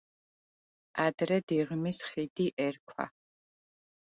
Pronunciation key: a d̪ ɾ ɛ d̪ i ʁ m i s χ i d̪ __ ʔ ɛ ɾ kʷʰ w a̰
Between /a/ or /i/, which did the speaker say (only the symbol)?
i